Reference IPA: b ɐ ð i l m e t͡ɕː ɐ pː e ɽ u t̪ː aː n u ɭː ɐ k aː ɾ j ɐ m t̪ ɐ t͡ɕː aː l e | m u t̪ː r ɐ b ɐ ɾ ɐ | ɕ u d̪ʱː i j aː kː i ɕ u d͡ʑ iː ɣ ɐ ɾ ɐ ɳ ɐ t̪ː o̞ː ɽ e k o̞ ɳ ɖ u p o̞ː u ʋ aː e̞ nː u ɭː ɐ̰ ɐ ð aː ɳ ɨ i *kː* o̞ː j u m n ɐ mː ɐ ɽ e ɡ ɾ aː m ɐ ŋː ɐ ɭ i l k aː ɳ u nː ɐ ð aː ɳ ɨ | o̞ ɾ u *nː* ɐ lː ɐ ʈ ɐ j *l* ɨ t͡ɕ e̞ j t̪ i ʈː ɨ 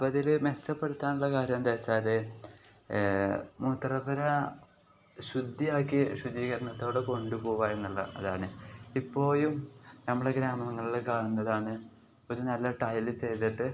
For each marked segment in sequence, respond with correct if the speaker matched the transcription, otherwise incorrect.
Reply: incorrect, incorrect, correct

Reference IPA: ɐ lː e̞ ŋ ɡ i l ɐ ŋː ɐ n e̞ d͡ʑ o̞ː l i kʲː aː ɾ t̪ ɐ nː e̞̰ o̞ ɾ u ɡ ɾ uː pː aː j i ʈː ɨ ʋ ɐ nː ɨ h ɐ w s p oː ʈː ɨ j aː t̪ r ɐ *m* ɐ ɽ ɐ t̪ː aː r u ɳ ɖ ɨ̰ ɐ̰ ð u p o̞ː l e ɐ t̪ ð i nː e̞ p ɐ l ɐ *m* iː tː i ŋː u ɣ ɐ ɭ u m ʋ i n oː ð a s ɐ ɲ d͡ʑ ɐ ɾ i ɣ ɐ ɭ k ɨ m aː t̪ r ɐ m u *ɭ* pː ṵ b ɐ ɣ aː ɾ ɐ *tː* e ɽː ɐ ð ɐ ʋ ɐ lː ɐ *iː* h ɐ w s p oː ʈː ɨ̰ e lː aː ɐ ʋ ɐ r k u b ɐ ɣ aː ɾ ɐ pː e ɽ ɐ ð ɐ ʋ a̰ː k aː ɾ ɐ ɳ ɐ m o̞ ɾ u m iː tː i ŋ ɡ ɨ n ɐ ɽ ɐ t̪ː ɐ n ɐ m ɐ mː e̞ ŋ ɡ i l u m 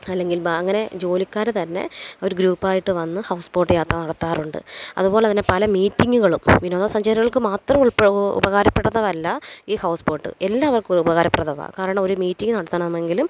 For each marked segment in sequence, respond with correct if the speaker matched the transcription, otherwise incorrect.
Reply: incorrect, correct, correct, incorrect, correct

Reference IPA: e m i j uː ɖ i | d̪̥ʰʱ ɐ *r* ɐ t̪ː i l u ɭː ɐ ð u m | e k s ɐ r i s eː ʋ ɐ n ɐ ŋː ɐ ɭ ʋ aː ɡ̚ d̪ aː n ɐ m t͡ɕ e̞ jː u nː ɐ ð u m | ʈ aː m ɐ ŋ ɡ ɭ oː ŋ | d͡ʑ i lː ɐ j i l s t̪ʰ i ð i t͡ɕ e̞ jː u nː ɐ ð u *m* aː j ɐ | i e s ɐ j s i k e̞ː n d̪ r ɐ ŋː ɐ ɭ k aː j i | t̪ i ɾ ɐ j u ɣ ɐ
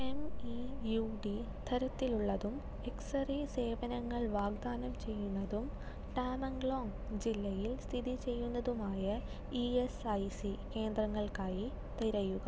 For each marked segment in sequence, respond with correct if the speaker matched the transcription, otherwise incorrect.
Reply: incorrect, correct

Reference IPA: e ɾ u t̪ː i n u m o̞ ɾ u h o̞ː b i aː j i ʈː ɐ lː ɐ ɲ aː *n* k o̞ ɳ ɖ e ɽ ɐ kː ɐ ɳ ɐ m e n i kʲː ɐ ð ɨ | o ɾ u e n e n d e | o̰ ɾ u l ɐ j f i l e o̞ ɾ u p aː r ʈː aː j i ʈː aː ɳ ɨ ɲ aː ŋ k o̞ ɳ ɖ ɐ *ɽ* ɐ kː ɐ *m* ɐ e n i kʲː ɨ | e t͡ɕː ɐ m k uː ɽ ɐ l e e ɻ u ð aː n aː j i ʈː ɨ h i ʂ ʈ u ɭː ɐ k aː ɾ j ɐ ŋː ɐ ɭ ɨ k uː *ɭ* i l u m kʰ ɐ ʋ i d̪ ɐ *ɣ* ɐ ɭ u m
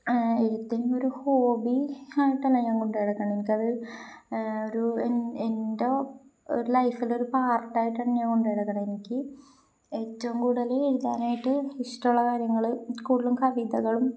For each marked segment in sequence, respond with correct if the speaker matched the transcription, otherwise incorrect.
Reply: incorrect, correct, incorrect, incorrect, correct

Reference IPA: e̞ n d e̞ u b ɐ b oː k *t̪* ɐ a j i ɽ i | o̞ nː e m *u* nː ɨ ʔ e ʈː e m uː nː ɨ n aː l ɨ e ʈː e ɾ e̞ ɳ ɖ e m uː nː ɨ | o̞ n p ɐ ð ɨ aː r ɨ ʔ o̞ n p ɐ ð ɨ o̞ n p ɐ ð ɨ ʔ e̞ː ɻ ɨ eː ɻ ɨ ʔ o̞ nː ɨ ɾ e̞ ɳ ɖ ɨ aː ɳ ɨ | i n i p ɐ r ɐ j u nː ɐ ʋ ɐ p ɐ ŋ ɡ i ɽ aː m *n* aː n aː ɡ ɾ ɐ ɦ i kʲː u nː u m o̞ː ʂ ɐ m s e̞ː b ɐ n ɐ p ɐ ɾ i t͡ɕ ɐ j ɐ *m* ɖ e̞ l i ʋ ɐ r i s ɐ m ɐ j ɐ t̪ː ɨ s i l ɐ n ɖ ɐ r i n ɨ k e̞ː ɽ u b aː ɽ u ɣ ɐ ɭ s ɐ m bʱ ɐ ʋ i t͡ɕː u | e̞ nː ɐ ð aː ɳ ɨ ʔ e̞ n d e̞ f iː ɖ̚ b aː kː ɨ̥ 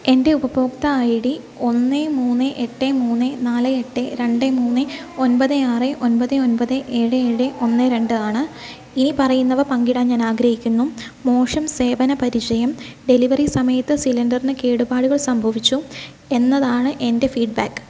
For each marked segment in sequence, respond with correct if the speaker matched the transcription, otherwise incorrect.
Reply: correct, incorrect, incorrect, correct

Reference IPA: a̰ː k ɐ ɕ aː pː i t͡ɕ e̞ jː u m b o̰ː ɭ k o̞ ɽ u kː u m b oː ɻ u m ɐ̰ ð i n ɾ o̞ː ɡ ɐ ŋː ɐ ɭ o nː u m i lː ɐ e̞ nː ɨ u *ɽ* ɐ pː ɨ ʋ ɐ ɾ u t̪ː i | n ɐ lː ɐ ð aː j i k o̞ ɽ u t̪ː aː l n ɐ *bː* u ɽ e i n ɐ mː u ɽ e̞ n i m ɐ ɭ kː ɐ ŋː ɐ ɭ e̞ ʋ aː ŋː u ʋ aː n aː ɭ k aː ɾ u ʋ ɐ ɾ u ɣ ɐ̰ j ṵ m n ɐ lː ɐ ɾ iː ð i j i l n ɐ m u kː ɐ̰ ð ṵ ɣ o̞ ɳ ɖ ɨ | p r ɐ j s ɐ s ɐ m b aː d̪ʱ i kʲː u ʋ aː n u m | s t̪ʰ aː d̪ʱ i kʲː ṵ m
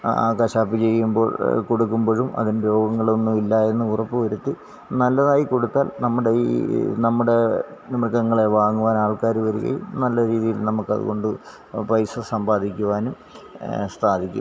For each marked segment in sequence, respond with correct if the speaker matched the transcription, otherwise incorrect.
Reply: incorrect, incorrect

